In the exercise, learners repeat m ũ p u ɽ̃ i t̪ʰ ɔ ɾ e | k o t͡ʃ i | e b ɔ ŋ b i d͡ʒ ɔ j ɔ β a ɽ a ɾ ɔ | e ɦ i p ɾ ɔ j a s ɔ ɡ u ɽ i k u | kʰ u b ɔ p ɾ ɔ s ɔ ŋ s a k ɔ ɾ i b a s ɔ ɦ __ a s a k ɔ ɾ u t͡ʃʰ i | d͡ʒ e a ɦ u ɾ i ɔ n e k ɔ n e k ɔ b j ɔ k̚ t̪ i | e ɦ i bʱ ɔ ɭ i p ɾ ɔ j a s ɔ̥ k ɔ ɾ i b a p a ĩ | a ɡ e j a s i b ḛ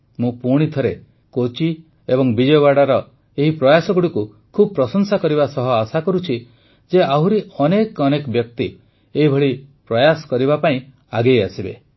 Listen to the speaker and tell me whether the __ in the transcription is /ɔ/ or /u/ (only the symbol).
ɔ